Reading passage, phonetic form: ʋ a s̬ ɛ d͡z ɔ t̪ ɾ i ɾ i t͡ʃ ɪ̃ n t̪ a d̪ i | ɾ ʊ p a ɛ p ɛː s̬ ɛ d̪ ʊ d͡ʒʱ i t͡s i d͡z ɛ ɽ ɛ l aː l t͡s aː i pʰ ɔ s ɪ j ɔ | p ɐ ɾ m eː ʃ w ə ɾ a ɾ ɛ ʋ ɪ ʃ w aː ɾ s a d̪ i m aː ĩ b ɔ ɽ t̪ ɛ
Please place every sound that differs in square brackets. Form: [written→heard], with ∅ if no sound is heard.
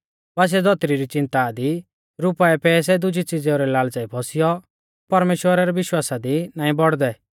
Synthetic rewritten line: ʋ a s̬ ɛ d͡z ɔ t̪ ɾ i ɾ i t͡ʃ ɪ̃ n t̪ a d̪ i | ɾ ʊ p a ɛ p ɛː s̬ ɛ d̪ ʊ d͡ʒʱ i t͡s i d͡z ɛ [ɽ→ɾ] ɛ l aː l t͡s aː i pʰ ɔ s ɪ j ɔ | p ɐ ɾ m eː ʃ w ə ɾ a ɾ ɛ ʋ ɪ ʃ w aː [ɾ→∅] s a d̪ i [m→n] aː ĩ b ɔ ɽ [t̪→d̪] ɛ